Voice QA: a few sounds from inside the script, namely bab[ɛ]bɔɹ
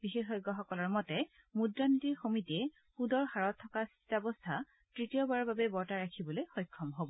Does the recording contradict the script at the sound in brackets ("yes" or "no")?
no